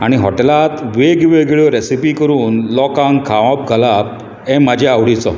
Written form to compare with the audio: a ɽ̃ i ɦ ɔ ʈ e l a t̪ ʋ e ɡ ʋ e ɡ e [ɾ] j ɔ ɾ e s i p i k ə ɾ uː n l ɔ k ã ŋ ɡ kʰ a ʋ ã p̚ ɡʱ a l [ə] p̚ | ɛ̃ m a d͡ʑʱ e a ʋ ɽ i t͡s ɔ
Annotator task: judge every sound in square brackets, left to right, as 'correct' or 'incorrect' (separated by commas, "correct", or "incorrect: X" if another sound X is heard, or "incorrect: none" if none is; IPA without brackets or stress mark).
incorrect: ɭ, incorrect: a